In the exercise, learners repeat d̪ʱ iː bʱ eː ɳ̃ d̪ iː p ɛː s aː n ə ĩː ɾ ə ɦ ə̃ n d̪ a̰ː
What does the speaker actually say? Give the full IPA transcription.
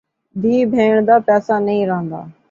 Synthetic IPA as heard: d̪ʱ iː bʱ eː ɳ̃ d̪ aː p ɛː s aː n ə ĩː ɾ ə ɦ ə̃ n d̪ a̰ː